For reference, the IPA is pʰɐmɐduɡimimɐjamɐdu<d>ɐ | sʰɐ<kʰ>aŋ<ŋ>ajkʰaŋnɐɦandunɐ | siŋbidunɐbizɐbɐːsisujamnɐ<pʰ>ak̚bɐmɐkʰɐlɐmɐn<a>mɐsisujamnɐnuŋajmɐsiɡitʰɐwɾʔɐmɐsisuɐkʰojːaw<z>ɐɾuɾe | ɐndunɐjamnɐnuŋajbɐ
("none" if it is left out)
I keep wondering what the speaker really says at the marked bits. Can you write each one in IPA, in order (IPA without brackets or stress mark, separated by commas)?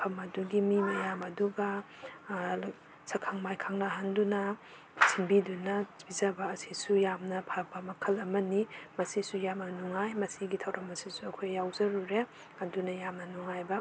ɡ, kʰ, m, pʰ, i, z